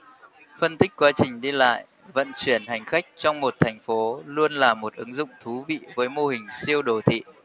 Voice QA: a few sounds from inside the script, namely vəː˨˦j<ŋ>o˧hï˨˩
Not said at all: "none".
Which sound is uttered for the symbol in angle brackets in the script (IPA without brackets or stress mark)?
m